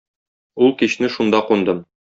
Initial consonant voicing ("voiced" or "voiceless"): voiced